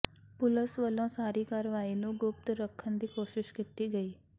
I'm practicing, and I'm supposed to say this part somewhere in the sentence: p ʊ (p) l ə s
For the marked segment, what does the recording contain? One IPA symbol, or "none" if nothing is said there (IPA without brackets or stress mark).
none